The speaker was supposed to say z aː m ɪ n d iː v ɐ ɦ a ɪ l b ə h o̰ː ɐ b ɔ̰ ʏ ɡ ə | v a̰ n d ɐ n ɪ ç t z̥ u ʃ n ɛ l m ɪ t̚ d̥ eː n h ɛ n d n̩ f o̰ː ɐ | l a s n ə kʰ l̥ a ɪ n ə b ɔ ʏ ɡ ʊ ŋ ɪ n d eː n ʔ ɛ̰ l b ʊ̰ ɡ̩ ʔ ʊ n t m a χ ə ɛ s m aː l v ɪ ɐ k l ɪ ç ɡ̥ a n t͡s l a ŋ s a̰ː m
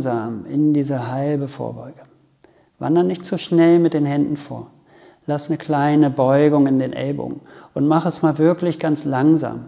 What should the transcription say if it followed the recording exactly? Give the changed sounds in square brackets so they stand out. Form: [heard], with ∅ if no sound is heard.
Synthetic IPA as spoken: z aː m ɪ n d iː [z] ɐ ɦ a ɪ l b ə [f] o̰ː ɐ b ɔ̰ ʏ ɡ ə | v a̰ n d ɐ n ɪ ç t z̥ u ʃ n ɛ l m ɪ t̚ d̥ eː n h ɛ n d n̩ f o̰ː ɐ | l a s n ə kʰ l̥ a ɪ n ə b ɔ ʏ ɡ ʊ ŋ ɪ n d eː n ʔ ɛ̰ l b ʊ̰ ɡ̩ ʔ ʊ n t m a χ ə ɛ s m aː l v ɪ ɐ k l ɪ ç ɡ̥ a n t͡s l a ŋ [z] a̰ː m

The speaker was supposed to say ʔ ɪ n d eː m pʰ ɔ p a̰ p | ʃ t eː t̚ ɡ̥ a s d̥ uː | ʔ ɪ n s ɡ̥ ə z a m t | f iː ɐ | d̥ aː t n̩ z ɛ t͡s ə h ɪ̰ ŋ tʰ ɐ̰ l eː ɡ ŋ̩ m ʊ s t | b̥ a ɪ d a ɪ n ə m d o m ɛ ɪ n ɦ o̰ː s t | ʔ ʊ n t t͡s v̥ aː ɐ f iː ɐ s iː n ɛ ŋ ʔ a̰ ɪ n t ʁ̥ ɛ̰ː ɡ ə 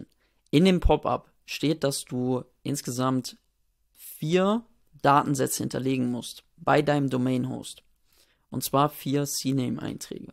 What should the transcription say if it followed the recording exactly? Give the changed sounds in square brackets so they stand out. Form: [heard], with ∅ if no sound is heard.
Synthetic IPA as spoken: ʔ ɪ n d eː m pʰ ɔ p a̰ p | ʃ t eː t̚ [d̥] a s d̥ uː | ʔ ɪ n s ɡ̥ ə z a m t | f iː ɐ | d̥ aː t n̩ z ɛ t͡s ə h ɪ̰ [n] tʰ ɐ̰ l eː ɡ ŋ̩ m ʊ s t | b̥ a ɪ d a ɪ n ə m d o m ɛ ɪ n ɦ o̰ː s t | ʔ ʊ n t t͡s v̥ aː ɐ f iː ɐ s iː n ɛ [m] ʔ a̰ ɪ n t ʁ̥ ɛ̰ː ɡ ə

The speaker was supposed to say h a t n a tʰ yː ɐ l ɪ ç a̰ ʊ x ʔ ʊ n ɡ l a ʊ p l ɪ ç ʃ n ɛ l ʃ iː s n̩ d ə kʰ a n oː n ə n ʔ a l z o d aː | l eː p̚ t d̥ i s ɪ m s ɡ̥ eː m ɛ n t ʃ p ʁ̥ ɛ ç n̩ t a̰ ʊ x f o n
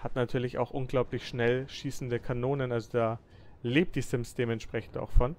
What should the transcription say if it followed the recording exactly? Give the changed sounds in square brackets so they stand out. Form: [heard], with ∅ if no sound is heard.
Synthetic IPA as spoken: h a t n a tʰ yː ɐ l ɪ ç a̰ ʊ x ʔ ʊ n ɡ l a ʊ p l ɪ ç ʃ n ɛ l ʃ iː s n̩ d ə kʰ a n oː n ə n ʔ a l z o d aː | l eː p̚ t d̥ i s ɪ m s [d̥] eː m ɛ n t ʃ p ʁ̥ ɛ ç n̩ t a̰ ʊ x f [ɔ] n

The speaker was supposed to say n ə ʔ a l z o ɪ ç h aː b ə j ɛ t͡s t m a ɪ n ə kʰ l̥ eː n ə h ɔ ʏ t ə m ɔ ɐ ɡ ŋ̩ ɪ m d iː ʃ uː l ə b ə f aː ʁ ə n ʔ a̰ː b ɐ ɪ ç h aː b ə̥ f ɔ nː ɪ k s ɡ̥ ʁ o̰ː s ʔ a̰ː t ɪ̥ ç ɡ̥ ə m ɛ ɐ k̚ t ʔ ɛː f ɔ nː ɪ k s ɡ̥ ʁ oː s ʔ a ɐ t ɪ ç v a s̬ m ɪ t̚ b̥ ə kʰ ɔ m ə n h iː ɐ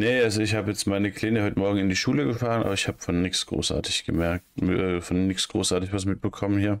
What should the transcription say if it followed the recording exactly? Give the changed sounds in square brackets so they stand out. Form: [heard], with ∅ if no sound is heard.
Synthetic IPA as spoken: n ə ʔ a l z o ɪ ç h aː b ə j ɛ t͡s t m a ɪ n ə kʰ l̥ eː n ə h ɔ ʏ t ə m ɔ ɐ ɡ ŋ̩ ɪ [n] d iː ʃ uː l ə [ɡ] ə f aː ʁ ə n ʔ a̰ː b ɐ ɪ ç h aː b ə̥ f ɔ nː ɪ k s ɡ̥ ʁ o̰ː s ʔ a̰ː t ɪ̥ ç ɡ̥ ə m ɛ ɐ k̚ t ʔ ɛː f ɔ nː ɪ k s ɡ̥ ʁ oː s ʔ a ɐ t ɪ ç v a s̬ m ɪ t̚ b̥ ə kʰ ɔ m ə n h iː ɐ

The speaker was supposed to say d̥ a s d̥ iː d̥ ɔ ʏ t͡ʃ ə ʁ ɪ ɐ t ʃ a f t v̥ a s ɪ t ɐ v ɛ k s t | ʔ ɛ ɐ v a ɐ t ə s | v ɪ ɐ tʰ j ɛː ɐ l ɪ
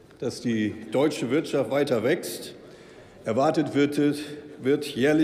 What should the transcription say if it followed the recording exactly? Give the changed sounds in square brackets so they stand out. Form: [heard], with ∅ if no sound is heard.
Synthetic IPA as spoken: d̥ a s d̥ iː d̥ ɔ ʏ t͡ʃ ə [v] ɪ ɐ t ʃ a f t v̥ a [∅] ɪ t ɐ v ɛ k s t | ʔ ɛ ɐ v a ɐ t ə [t] | v ɪ ɐ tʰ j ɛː ɐ l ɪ

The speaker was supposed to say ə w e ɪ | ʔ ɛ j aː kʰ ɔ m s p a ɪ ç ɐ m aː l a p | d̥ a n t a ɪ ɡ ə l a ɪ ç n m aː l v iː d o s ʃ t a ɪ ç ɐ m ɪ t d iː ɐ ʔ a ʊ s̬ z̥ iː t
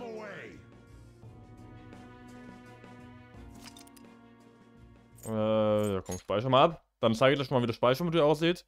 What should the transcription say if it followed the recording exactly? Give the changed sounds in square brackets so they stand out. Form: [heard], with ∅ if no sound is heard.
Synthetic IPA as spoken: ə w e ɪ | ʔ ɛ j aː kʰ ɔ m [ʃ] p a ɪ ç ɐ m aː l a p | d̥ a n [t͡s] a ɪ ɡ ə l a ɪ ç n m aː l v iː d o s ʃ [p] a ɪ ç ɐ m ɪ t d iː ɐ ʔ a ʊ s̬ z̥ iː t

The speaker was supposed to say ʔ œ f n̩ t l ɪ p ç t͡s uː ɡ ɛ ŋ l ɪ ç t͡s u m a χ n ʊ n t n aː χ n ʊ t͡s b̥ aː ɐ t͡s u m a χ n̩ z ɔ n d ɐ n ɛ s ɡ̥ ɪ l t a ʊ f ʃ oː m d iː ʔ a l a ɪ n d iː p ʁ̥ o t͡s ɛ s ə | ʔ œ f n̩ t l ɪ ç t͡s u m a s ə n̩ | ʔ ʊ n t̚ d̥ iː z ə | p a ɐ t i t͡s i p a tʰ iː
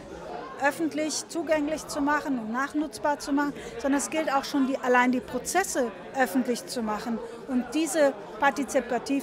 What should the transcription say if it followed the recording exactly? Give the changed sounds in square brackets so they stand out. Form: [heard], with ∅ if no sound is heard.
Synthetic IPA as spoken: ʔ œ f n̩ t l ɪ [∅] ç t͡s uː ɡ ɛ ŋ l ɪ ç t͡s u m a χ n ʊ n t n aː χ n ʊ t͡s b̥ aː ɐ t͡s u m a χ n̩ z ɔ n d ɐ n ɛ s ɡ̥ ɪ l t a ʊ [x] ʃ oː [n] d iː ʔ a l a ɪ n d iː p ʁ̥ o t͡s ɛ s ə | ʔ œ f n̩ t l ɪ ç t͡s u m a [χ] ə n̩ | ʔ ʊ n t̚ d̥ iː z ə | p a ɐ t i t͡s i p a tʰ iː

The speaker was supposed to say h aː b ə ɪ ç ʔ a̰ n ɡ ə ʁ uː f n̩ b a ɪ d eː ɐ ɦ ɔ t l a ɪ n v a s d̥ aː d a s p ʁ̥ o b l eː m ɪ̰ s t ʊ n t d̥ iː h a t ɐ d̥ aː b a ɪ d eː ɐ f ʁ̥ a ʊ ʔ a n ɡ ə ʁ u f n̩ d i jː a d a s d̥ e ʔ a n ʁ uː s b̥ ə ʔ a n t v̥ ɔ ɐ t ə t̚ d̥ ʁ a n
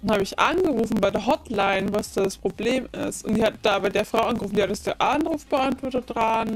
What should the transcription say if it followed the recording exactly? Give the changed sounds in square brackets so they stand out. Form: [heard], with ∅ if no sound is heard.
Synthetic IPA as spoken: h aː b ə ɪ ç ʔ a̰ n ɡ ə ʁ uː f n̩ b a ɪ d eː ɐ ɦ ɔ t l a ɪ n v a s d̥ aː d a s p ʁ̥ o b l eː m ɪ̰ s t ʊ n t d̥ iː h a t [ə] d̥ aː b a ɪ d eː ɐ f ʁ̥ a ʊ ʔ a n ɡ ə ʁ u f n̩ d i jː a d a s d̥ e ʔ a n ʁ uː [f] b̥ ə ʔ a n t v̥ ɔ ɐ t ə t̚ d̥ ʁ a n

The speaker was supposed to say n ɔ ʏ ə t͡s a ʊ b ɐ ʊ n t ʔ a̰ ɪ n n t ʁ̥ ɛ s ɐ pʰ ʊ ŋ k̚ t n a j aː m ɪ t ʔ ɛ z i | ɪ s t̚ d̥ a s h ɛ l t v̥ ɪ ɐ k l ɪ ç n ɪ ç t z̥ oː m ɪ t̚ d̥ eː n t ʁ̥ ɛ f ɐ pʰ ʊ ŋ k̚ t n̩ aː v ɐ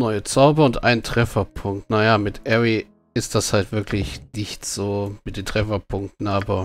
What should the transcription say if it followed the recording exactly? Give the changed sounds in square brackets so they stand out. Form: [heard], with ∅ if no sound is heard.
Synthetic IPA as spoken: n ɔ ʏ ə t͡s a ʊ b ɐ ʊ n t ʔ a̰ ɪ n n t ʁ̥ ɛ [f] ɐ pʰ ʊ ŋ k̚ t n a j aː m ɪ t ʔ ɛ [ʁ] i | ɪ s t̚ d̥ a s h [a] l t v̥ ɪ ɐ k l ɪ ç n ɪ ç t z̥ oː m ɪ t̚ d̥ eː n t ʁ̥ ɛ f ɐ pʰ ʊ ŋ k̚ t n̩ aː [b] ɐ

